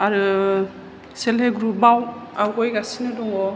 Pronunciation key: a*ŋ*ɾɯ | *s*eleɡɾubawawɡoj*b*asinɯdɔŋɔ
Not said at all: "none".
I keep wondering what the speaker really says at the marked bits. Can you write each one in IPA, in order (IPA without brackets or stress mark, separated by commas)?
none, s, ɡ